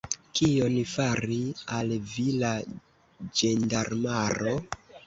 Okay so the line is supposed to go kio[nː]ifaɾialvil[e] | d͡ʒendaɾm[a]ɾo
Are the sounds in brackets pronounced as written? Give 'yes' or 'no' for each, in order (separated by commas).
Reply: no, no, yes